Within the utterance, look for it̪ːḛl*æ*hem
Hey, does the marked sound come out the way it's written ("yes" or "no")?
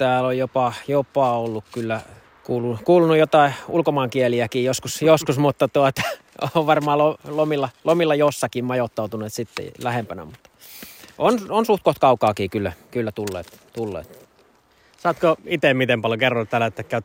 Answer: yes